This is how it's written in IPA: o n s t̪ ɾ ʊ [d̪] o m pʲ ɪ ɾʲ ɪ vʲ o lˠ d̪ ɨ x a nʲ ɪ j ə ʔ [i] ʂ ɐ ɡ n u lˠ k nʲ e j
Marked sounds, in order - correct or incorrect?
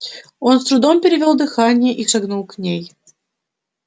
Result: correct, correct

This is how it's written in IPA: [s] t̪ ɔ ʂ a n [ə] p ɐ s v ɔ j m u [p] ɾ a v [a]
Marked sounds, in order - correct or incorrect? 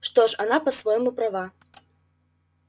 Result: incorrect, incorrect, correct, correct

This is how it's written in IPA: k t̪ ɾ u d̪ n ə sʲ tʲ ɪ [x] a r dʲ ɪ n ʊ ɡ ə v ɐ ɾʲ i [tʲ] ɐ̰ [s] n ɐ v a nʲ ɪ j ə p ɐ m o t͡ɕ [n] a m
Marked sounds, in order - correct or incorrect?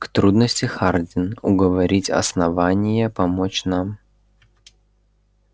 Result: correct, correct, correct, correct

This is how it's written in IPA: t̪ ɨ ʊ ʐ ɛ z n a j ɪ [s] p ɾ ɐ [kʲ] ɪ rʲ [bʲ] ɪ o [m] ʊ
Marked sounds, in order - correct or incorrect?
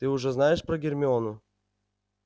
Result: incorrect, incorrect, incorrect, incorrect

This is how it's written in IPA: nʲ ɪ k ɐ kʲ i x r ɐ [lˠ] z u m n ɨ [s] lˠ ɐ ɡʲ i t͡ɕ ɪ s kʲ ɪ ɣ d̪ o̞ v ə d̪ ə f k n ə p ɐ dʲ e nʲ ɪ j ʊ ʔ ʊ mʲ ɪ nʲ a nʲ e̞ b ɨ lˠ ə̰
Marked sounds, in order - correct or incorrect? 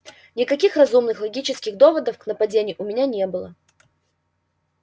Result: incorrect, incorrect

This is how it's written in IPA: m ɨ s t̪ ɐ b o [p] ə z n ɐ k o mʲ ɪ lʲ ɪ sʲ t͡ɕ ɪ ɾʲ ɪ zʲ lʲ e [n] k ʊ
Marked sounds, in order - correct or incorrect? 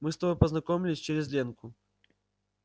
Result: correct, correct

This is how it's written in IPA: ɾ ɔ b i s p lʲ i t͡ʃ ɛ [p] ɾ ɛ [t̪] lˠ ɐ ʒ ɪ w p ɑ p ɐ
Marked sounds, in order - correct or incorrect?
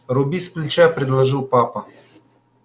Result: correct, incorrect

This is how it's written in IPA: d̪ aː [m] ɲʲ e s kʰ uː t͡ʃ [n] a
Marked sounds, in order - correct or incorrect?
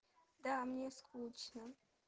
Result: correct, correct

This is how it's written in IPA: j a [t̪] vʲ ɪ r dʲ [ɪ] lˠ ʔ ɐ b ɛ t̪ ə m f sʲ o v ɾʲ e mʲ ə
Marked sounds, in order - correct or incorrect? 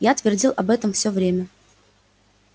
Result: correct, incorrect

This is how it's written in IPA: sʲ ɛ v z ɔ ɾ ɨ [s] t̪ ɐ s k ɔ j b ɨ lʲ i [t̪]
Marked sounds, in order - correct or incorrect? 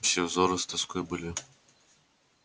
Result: correct, incorrect

